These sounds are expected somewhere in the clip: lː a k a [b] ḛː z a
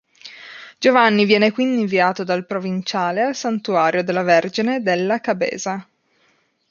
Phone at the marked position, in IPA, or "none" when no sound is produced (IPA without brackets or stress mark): b